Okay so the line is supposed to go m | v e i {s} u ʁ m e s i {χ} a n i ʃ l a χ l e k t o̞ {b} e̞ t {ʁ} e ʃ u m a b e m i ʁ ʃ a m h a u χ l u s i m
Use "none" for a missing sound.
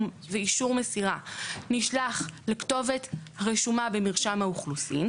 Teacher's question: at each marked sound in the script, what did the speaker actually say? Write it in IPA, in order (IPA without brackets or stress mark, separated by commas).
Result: ʃ, ʁ, v, ʁ